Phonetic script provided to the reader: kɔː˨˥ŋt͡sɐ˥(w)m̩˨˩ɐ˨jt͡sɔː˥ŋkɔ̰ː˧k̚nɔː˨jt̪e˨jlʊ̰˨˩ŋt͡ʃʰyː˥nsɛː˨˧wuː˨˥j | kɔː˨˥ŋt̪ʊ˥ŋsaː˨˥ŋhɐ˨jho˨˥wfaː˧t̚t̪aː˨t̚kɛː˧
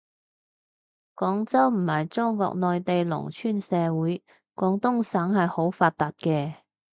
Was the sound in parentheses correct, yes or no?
yes